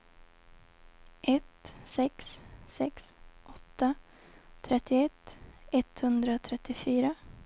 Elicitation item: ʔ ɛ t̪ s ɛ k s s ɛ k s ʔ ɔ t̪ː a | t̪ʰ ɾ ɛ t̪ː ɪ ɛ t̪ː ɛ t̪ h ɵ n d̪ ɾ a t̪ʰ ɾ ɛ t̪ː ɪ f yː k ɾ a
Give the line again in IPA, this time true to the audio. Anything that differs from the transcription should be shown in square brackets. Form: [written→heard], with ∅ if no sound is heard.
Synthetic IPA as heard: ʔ ɛ t̪ s ɛ k s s ɛ k s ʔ ɔ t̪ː a | t̪ʰ ɾ ɛ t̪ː ɪ ɛ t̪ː ɛ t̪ h ɵ n d̪ ɾ a t̪ʰ ɾ ɛ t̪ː ɪ f yː [k→∅] ɾ a

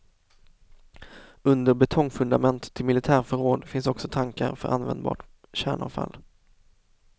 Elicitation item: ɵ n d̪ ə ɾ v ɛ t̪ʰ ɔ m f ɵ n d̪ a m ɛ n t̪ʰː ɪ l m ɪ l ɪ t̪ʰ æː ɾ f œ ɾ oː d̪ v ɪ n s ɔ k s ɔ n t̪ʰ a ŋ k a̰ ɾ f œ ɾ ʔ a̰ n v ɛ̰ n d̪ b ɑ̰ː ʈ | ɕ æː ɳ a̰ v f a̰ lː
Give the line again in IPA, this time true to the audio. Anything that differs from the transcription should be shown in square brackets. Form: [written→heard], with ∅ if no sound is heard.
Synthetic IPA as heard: ɵ n d̪ ə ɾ [v→b] ɛ t̪ʰ ɔ [m→ŋ] f ɵ n d̪ a m ɛ n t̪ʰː ɪ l m ɪ l ɪ t̪ʰ æː ɾ f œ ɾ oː d̪ [v→f] ɪ n s ɔ k s ɔ [n→∅] t̪ʰ a ŋ k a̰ ɾ f œ ɾ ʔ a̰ n v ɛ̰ n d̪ b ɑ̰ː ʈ | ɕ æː ɳ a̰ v f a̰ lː

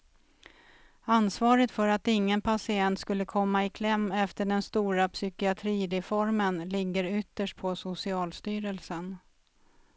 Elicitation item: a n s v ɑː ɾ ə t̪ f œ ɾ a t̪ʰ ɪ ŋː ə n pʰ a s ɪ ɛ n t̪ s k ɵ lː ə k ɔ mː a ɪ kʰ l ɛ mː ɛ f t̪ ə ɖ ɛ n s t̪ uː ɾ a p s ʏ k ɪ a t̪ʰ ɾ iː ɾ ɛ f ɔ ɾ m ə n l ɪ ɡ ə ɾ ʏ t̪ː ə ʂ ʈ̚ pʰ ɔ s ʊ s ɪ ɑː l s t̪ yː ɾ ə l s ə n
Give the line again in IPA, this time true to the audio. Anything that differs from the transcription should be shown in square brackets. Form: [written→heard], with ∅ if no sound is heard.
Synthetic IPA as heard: a n s v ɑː ɾ ə t̪ f œ ɾ a [t̪ʰ→t̪] ɪ ŋː ə n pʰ a s ɪ ɛ n t̪ s k ɵ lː ə [k→kʰ] ɔ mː a ɪ kʰ l ɛ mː ɛ f t̪ ə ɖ ɛ n s t̪ uː ɾ a p s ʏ k ɪ a t̪ʰ ɾ iː ɾ ɛ f ɔ ɾ m ə n l ɪ [ɡ→ɡː] ə ɾ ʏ t̪ː ə ʂ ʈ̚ pʰ ɔ s ʊ s ɪ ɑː l s t̪ yː ɾ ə l s ə n

